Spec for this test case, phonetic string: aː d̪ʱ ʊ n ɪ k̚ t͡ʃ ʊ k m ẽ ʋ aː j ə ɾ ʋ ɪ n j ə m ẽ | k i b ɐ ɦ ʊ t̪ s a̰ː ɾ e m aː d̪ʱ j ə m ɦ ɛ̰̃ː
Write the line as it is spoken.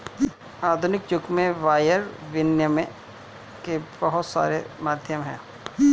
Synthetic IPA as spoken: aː d̪ʱ ʊ n ɪ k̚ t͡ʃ ʊ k m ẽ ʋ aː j ə ɾ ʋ ɪ n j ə m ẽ | k e b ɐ ɦ ʊ t̪ s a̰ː ɾ e m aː d̪ʱ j ə m ɦ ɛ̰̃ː

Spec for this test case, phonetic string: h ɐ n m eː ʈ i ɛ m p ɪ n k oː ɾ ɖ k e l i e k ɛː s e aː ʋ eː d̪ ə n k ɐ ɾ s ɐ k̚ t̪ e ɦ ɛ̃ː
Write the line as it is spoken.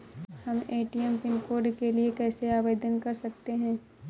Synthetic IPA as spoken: h ɐ m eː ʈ i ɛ m p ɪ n k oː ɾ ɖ k e l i e k ɛː s e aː ʋ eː d̪ ə n k ɐ ɾ s ɐ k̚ t̪ e ɦ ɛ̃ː

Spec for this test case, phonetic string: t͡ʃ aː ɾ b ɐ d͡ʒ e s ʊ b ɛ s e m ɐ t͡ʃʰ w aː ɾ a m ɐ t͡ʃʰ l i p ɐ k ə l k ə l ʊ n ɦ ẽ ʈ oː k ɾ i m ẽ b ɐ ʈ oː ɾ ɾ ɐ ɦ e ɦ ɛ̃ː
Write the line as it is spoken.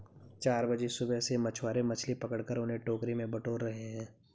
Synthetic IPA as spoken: t͡ʃ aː ɾ b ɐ d͡ʒ e s ʊ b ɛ s e m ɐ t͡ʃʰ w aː ɾ e m ɐ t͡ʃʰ l i p ɐ k ə ɽ k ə ɾ ʊ n ɦ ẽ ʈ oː k ɾ i m ẽ b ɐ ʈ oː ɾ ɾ ɐ ɦ e ɦ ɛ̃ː

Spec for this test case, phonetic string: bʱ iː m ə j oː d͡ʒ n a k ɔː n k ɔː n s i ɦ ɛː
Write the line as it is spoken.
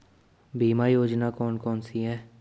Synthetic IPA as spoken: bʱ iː m a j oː d͡ʒ n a k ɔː n k ɔː n s i ɦ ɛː

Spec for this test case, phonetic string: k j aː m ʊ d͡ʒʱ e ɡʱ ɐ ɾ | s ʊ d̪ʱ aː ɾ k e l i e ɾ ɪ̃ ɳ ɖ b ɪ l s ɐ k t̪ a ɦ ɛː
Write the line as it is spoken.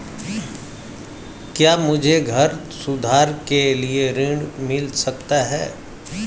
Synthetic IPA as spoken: k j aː m ʊ d͡ʒʱ e ɡʱ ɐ ɾ | s ʊ d̪ʱ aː ɾ k e l i e ɾ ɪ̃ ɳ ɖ m ɪ l s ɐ k t̪ a ɦ ɛː

